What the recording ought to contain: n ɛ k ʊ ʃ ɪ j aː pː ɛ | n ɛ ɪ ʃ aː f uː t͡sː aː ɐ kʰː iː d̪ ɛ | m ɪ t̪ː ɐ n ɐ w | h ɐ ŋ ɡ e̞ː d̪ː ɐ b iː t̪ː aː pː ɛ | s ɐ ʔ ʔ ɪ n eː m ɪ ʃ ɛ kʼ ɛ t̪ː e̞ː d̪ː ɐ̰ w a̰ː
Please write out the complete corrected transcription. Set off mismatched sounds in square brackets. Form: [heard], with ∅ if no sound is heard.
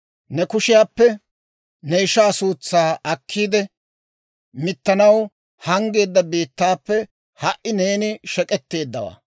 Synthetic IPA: n ɛ k ʊ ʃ ɪ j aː pː ɛ | n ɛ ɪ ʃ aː [s] uː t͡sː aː ɐ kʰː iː d̪ ɛ | m ɪ t̪ː ɐ n ɐ w | h ɐ ŋ ɡ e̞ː d̪ː ɐ b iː t̪ː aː pː ɛ | [h] ɐ ʔ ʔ ɪ n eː [n] ɪ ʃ ɛ kʼ ɛ t̪ː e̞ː d̪ː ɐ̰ w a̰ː